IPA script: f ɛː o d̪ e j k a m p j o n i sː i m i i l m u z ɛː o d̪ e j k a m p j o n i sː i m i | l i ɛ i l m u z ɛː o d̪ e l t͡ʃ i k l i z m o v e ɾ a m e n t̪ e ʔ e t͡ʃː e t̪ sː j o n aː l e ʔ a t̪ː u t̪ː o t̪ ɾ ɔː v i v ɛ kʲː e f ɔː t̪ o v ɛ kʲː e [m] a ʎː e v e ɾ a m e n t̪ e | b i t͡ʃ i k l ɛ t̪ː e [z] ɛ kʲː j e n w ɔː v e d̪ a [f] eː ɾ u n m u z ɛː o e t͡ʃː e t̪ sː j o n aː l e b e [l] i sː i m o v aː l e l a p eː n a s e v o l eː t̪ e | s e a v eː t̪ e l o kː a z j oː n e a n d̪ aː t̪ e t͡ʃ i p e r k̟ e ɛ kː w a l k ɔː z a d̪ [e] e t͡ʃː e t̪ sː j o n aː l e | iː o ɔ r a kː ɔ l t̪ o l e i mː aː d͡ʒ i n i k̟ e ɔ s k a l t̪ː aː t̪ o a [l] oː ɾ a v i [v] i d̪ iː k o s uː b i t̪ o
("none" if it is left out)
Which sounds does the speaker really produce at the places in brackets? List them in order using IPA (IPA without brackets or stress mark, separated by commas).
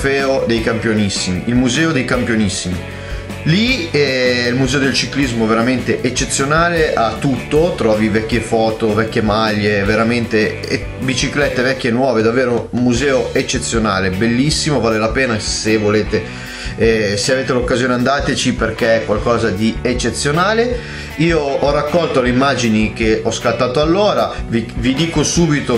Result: m, v, v, lː, i, lː, v